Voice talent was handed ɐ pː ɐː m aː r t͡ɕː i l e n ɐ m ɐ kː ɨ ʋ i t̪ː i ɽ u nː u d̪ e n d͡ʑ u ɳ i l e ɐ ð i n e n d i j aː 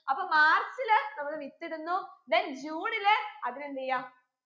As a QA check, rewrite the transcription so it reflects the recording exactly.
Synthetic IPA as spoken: ɐ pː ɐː m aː r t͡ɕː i l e n ɐ m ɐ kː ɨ ʋ i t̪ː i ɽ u nː u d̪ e n d͡ʑ uː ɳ i l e ɐ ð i n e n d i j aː